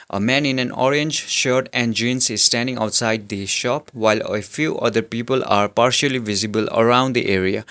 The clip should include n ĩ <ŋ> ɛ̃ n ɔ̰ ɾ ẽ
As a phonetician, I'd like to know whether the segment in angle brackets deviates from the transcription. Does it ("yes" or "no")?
yes